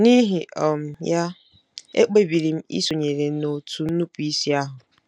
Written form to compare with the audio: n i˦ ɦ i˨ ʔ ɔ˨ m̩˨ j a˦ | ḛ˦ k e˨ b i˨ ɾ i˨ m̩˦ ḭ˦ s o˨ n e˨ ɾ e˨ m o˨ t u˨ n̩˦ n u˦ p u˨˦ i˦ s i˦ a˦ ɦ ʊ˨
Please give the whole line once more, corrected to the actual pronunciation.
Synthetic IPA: n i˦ ɦ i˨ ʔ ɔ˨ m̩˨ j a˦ | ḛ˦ k͡p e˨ b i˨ ɾ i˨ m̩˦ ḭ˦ s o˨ ɲ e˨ ɾ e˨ n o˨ t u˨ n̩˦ n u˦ p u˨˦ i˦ s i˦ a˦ ɦ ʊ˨